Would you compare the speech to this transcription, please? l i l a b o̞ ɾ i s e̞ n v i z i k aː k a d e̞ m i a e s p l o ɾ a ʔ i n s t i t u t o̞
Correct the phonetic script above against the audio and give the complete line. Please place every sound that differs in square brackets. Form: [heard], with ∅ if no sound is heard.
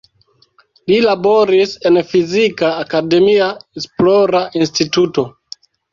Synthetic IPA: l i l a b o̞ ɾ i s e̞ n [f] i z i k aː k a d e̞ m i a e s p l o ɾ a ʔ i n s t i t u t o̞

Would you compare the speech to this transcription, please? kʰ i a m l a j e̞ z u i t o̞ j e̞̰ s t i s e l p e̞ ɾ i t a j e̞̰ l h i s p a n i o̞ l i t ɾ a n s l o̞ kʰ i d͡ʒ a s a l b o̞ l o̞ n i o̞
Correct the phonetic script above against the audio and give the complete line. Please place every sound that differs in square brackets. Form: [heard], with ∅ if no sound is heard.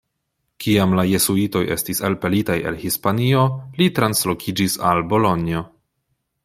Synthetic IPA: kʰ i a m l a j e̞ [s] u i t o̞ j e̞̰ s t i s e l p e̞ [l] i t a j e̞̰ l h i s p a n i o̞ l i t ɾ a n s l o̞ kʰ i d͡ʒ [i] s a l b o̞ l o̞ n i o̞

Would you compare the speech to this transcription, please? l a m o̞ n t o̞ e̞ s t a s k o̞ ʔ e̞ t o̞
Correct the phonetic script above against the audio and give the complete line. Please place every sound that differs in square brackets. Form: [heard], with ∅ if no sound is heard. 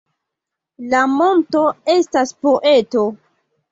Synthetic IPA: l a m o̞ n t o̞ e̞ s t a s [p] o̞ ʔ e̞ t o̞

